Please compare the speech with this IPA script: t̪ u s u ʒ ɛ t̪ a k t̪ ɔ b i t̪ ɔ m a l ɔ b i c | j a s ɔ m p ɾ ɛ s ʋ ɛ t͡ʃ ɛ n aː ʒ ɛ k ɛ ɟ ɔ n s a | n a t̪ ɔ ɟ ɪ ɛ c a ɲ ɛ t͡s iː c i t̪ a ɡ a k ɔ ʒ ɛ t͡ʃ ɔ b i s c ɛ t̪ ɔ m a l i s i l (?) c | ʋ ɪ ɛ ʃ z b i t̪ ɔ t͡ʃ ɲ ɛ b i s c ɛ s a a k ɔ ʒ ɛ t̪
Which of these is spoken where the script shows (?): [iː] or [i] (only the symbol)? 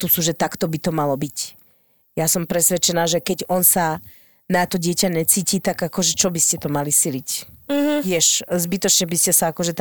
i